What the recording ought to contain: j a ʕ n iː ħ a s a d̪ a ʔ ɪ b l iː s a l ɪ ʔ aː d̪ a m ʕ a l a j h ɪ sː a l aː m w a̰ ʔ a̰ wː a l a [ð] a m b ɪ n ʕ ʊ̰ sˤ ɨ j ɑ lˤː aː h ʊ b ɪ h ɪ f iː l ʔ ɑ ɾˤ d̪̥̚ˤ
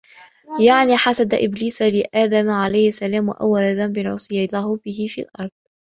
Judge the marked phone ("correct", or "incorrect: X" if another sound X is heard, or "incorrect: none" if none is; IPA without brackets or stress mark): correct